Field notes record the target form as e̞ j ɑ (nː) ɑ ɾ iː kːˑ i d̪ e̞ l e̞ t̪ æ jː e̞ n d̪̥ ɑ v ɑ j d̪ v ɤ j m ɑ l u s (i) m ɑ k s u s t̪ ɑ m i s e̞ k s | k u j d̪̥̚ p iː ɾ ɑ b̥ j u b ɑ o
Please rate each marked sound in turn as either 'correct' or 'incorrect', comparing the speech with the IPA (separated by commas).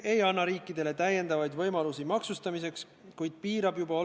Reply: correct, correct